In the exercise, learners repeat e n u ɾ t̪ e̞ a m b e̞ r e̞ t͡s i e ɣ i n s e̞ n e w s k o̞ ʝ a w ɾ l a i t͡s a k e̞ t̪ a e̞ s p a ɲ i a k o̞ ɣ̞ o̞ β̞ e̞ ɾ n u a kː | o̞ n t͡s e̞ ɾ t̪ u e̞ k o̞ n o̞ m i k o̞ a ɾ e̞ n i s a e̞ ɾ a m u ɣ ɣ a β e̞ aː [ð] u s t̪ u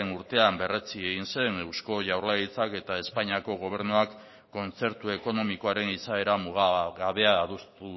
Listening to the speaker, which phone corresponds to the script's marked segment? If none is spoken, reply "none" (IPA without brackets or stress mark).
ð